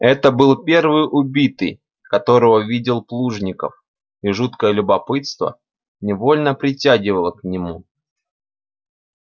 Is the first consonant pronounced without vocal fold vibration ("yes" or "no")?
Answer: yes